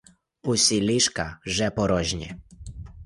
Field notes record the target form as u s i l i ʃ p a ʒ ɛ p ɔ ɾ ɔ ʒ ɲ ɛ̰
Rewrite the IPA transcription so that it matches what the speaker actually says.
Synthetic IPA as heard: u s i l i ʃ k a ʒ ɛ p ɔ ɾ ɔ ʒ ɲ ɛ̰